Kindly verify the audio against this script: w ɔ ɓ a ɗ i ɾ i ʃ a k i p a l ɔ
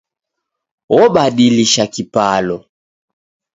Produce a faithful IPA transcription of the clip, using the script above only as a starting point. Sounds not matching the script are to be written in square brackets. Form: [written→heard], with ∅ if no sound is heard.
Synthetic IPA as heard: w ɔ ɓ a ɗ i [ɾ→l] i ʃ a k i p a l ɔ